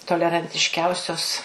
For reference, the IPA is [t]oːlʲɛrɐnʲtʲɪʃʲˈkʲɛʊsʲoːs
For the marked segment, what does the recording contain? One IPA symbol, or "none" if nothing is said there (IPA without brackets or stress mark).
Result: t